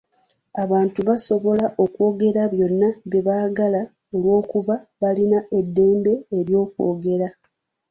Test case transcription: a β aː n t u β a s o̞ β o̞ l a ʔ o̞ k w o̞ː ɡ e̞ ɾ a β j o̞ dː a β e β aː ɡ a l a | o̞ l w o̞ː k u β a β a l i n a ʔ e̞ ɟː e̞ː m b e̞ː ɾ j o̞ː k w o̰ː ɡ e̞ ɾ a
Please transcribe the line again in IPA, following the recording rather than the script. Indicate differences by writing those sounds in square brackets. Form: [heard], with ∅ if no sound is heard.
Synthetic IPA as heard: a β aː n t u β a s o̞ β o̞ l a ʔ o̞ k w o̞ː ɡ e̞ ɾ a β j o̞ [nː] a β e β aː ɡ a l a | o̞ l w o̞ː k u β a β a l i n a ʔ e̞ [dː] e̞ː m b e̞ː ɾ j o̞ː k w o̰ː ɡ e̞ ɾ a